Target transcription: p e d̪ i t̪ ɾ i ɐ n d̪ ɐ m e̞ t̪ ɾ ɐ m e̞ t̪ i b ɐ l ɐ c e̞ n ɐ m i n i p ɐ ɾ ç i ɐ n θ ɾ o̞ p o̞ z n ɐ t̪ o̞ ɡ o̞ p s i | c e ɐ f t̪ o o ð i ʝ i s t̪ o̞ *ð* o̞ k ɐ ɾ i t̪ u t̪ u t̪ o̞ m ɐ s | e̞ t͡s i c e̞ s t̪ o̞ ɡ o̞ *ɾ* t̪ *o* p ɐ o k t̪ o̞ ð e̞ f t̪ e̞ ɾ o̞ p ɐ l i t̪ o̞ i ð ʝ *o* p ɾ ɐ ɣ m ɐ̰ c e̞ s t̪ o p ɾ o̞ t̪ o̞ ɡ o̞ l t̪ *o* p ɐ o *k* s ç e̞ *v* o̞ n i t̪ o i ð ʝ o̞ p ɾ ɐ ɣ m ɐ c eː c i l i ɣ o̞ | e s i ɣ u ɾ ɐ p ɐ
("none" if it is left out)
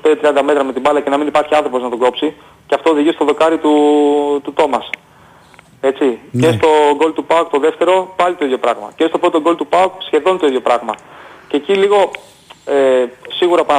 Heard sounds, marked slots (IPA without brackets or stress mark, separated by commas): ð, l, u, o, u, k, ð